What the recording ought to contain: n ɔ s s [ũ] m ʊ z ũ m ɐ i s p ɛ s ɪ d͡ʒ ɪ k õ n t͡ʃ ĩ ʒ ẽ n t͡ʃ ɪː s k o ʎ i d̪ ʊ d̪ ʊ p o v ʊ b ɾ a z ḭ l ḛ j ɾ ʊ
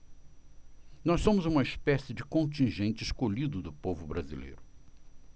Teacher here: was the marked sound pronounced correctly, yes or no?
no